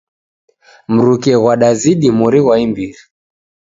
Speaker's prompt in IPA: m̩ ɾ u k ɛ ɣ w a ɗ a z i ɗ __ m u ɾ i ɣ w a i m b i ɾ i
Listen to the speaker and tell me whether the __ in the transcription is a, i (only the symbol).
i